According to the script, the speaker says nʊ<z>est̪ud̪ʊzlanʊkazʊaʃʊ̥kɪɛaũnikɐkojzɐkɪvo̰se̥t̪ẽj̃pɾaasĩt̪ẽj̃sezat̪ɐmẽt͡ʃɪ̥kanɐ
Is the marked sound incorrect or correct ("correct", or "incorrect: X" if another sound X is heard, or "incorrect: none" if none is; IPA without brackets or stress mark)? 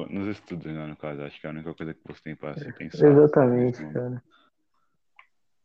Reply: correct